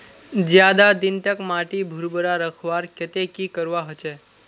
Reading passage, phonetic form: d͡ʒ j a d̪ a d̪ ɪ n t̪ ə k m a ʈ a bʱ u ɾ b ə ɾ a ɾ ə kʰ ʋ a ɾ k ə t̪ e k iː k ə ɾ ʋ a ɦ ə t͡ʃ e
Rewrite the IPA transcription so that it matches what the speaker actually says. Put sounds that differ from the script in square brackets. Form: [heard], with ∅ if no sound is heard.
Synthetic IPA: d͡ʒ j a d̪ a d̪ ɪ n t̪ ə k m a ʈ [i] bʱ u ɾ b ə ɾ a ɾ ə kʰ ʋ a ɾ k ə t̪ e k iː k ə ɾ ʋ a ɦ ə t͡ʃ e